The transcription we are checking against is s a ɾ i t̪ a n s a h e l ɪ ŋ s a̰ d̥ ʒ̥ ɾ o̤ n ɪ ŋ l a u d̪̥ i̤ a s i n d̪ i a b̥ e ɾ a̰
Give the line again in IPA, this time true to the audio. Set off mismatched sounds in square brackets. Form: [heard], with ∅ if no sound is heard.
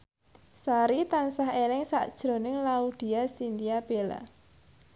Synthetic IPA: s a ɾ i t̪ a n s a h e l ɪ ŋ s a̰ d̥ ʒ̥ ɾ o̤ n ɪ ŋ l a u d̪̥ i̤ a s i n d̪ i a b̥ e [l] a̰

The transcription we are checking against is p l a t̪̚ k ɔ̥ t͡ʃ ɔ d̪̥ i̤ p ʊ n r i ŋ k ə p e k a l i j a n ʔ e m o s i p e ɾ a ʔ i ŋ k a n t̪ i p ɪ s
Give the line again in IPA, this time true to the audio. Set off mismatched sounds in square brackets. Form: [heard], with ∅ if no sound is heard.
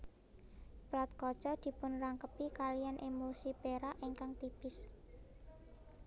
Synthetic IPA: p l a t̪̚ k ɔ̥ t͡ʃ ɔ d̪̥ i̤ p ʊ n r [a] ŋ k ə p [i] k a l i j a n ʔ e m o s i p e ɾ a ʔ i ŋ k a [ŋ] t̪ i p ɪ s

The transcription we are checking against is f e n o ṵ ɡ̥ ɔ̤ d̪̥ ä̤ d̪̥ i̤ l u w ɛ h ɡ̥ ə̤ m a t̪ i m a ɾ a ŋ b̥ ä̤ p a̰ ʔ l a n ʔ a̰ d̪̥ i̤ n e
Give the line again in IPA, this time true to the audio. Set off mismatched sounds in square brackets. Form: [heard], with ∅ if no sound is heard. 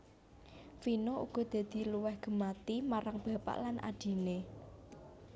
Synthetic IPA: f [i] n o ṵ ɡ̥ ɔ̤ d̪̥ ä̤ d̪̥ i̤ l u w ɛ h ɡ̥ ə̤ m a t̪ i m a ɾ a ŋ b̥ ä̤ p a̰ ʔ l a n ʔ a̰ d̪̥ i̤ n e

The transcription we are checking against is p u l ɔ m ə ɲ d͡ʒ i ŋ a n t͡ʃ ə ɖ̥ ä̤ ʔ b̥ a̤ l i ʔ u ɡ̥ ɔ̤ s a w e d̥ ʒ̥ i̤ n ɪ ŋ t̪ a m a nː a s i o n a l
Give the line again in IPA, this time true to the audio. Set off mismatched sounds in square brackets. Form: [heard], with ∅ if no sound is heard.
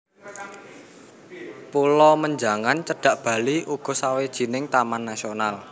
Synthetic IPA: p u l ɔ m ə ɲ d͡ʒ [a] ŋ a n t͡ʃ ə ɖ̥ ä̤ ʔ b̥ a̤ l i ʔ u ɡ̥ ɔ̤ s a w e d̥ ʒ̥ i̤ n ɪ ŋ t̪ a m a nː a s i o n a l

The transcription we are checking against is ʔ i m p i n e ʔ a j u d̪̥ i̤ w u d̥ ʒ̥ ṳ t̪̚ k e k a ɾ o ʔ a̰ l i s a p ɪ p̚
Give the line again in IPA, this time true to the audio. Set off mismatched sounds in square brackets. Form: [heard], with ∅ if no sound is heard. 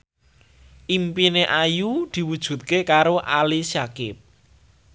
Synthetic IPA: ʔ i m p i n e ʔ a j u d̪̥ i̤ w u d̥ ʒ̥ ṳ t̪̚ k e k a ɾ o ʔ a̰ l i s a [k] ɪ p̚

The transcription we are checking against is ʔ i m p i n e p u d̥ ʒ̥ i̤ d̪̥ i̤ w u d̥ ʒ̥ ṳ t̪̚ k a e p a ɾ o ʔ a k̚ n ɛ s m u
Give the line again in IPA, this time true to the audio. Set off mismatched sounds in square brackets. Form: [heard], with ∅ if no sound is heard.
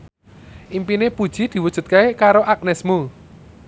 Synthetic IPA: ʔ i m p i n e p u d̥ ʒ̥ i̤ d̪̥ i̤ w u d̥ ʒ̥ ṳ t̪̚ k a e [k] a ɾ o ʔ a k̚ n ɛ s m u

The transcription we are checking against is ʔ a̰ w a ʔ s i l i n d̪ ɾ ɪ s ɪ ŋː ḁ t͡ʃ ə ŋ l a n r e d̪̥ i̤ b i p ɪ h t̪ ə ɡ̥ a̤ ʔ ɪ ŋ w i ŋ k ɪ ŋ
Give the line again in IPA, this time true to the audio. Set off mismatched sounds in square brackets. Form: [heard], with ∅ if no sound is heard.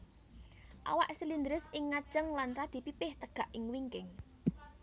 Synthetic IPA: ʔ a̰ w a ʔ s i l i n d̪ ɾ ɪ s ɪ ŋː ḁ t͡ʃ ə ŋ l a n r [a] d̪̥ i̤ [p] i p ɪ h t̪ ə ɡ̥ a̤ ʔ ɪ ŋ w i ŋ k ɪ ŋ

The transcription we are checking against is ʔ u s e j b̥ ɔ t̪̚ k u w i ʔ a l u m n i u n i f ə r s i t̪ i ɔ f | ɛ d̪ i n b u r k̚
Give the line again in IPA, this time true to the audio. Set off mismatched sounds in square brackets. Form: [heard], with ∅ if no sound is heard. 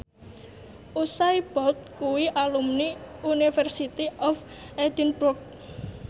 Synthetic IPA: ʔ u s [a] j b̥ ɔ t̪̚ k u w i ʔ a l u m n i u n i f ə r s i t̪ i ɔ f | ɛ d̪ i n b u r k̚

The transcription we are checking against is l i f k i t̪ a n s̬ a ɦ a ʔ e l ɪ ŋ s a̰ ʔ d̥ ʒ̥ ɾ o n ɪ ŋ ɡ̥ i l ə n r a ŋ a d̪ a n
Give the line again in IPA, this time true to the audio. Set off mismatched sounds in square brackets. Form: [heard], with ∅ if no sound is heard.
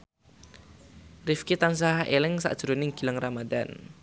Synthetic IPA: [r] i f k i t̪ a n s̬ a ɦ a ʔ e l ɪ ŋ s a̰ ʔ d̥ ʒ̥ ɾ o n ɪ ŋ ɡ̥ i l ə [ŋ] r a [m] a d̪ a n

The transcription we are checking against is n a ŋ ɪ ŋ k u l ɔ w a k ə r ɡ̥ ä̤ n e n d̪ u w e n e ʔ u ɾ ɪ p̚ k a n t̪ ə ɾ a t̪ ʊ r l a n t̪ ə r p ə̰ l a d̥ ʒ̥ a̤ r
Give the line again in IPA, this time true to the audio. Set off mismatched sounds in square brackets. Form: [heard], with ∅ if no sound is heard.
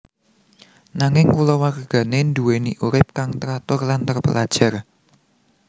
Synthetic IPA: n a ŋ ɪ ŋ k u l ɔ w a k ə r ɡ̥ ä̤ n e n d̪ u w e n [i] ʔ u ɾ ɪ p̚ k a [ŋ] t̪ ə ɾ a t̪ ʊ r l a n t̪ ə r p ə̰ l a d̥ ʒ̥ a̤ r

